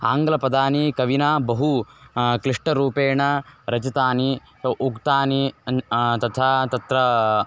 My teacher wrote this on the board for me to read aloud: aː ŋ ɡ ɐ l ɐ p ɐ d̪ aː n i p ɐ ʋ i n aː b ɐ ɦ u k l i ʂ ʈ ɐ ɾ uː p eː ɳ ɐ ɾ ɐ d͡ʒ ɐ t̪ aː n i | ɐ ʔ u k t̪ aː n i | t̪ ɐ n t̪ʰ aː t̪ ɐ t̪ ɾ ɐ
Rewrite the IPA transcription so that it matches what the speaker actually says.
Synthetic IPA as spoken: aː ŋ ɡ ɐ l ɐ p ɐ d̪ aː n i k ɐ ʋ i n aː b ɐ ɦ u k l i ʂ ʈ ɐ ɾ uː p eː ɳ ɐ ɾ ɐ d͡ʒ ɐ t̪ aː n i | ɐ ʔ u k t̪ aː n i | t̪ ɐ t̪ʰ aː t̪ ɐ t̪ ɾ ɐ